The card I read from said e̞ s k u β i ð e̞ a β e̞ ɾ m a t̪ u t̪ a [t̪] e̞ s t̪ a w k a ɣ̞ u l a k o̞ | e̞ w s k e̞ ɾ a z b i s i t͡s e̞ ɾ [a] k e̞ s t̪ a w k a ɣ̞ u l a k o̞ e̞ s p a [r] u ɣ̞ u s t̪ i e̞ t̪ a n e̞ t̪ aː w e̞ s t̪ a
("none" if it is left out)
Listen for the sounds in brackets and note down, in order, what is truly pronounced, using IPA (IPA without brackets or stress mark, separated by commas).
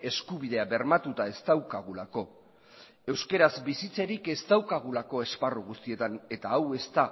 none, i, r